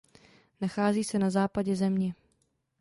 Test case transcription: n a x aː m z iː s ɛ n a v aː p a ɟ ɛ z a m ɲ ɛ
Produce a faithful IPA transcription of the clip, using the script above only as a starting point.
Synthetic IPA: n a x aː z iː s ɛ n a z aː p a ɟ ɛ z ɛ m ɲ ɛ